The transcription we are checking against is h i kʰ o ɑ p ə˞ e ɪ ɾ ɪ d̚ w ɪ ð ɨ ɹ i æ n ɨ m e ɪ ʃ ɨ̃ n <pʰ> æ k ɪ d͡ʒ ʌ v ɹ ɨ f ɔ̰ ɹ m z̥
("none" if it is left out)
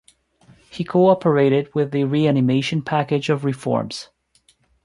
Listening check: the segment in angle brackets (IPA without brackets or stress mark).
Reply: pʰ